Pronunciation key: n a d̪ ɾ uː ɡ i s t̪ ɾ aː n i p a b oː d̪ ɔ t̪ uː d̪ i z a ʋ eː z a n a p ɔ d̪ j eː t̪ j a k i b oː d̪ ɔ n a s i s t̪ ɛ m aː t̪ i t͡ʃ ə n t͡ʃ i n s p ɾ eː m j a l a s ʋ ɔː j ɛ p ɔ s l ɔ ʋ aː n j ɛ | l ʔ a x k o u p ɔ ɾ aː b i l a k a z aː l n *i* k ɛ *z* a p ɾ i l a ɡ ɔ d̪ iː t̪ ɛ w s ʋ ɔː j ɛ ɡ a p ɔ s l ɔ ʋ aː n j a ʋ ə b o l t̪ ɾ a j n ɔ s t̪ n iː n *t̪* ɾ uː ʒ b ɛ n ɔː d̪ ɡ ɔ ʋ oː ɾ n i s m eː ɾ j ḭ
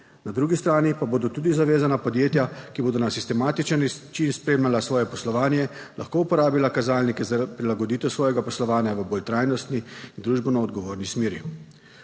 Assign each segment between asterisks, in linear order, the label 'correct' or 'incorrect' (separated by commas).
correct, correct, incorrect